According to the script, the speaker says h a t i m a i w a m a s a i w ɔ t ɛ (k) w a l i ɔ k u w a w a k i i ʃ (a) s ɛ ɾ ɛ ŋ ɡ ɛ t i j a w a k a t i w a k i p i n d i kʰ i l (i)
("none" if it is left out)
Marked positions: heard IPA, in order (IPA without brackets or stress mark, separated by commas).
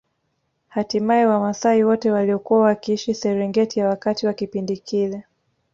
none, i, ɛ